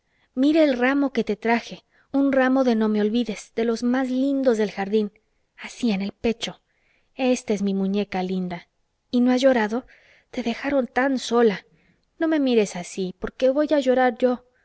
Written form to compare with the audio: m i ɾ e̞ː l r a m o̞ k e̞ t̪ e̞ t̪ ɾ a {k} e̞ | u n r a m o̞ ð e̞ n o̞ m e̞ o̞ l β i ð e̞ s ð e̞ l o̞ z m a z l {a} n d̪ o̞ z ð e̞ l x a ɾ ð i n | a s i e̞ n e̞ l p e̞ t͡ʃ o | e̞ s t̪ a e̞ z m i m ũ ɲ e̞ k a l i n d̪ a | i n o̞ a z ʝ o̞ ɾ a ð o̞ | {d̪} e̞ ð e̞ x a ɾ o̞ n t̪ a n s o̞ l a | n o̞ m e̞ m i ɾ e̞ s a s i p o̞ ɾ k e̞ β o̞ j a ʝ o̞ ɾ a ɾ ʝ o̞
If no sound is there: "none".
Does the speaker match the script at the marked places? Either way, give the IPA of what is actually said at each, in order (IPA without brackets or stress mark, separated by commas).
x, i, t̪